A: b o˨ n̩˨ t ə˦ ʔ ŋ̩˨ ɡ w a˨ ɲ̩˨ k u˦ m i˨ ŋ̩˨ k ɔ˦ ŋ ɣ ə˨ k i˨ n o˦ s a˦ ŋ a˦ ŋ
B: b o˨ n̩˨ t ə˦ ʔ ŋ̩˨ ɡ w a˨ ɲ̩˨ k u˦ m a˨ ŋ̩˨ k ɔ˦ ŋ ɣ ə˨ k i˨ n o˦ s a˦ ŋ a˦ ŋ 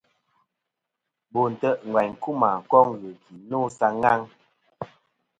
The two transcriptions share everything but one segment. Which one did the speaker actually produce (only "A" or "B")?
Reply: B